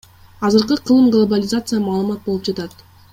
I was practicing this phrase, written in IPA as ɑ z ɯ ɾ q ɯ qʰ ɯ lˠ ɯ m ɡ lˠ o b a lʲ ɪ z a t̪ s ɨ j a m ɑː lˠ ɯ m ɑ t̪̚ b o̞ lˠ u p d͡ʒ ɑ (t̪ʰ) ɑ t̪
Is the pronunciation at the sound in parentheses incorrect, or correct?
incorrect